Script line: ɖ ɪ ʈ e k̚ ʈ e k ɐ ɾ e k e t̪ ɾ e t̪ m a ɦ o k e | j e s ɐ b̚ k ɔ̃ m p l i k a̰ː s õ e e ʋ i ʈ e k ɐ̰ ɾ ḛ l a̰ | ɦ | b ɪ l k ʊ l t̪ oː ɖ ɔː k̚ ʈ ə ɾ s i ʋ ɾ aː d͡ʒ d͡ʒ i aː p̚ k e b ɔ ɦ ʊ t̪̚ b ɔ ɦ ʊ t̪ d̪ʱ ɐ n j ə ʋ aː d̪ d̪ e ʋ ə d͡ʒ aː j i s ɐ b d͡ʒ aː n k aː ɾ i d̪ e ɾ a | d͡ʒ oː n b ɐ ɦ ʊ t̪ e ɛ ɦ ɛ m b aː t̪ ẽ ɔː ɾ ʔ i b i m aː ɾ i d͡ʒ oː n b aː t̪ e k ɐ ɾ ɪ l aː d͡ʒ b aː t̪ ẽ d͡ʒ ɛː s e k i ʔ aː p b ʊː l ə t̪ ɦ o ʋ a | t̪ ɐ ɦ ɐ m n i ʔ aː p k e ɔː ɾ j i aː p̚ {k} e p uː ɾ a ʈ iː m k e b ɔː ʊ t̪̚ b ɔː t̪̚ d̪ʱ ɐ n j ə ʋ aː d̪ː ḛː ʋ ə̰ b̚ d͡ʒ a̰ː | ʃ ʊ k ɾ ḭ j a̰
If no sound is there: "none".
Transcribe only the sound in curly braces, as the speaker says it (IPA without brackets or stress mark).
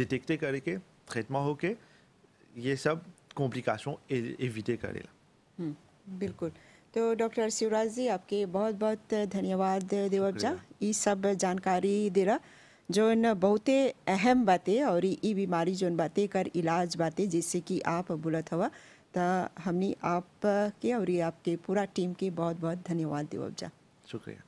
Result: k